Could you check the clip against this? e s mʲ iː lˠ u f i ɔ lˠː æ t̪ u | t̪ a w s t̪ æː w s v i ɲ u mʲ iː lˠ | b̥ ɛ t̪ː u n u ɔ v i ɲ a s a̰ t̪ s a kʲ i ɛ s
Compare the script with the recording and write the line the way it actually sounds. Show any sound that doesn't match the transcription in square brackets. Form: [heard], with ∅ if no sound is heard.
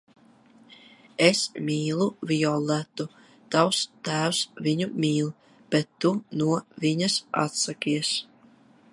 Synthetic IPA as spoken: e s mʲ iː lˠ u [v] i ɔ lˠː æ t̪ u | t̪ a w s t̪ æː w s v i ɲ u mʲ iː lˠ | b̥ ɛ t̪ː u n u ɔ v i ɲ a s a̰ t̪ s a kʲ i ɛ s